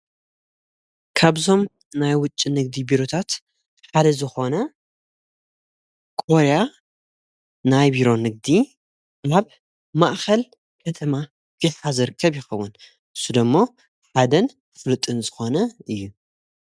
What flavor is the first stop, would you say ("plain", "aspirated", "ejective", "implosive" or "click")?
aspirated